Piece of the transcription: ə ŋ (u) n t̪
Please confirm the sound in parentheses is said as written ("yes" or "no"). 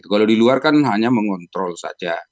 no